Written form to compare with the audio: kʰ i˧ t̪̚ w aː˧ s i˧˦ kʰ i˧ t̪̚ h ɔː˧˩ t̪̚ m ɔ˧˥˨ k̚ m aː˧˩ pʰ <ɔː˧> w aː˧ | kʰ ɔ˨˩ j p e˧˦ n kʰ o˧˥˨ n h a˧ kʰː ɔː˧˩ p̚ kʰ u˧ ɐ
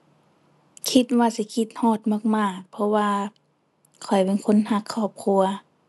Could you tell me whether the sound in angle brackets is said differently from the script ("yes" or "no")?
yes